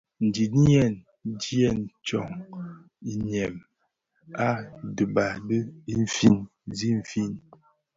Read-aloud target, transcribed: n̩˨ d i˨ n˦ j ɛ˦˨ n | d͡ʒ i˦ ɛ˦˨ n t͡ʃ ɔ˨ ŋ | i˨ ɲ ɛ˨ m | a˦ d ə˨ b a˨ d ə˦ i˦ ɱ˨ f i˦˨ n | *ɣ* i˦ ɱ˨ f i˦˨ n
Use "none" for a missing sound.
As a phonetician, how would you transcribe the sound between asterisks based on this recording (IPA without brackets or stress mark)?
z